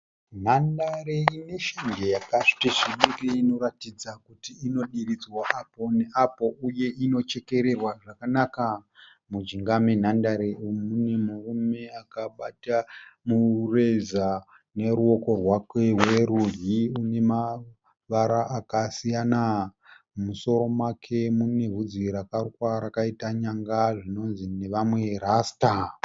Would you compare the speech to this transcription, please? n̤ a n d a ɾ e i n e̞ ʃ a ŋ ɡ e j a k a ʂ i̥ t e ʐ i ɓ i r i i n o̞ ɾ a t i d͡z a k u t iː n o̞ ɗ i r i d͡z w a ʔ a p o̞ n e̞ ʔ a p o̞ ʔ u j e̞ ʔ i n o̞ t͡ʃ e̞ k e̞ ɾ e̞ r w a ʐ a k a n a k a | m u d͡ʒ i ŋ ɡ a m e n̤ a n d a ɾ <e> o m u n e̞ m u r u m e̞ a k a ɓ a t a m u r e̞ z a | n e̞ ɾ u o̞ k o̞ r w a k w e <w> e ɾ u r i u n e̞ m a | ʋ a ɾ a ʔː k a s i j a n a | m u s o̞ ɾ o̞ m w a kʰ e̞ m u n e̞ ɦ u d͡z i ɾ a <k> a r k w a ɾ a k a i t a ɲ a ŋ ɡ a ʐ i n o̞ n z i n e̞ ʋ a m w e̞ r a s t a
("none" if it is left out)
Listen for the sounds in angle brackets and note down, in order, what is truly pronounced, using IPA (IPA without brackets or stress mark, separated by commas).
e, w, k